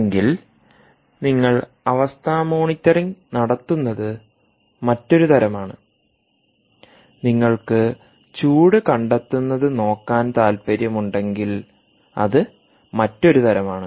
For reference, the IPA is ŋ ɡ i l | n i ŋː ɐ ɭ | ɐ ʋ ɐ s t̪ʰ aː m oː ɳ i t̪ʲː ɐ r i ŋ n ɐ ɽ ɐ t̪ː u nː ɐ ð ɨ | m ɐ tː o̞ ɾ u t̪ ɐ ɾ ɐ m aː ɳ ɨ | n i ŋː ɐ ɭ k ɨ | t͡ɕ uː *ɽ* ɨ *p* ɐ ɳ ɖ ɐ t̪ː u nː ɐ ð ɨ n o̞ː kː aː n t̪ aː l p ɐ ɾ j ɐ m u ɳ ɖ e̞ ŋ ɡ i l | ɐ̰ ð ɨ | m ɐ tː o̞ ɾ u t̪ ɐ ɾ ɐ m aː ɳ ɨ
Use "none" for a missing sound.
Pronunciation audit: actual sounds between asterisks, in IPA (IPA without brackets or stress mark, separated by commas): ɽ, k